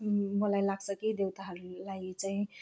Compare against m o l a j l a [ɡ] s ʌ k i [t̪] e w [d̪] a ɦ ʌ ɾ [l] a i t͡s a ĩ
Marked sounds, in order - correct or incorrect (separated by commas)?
correct, incorrect, incorrect, correct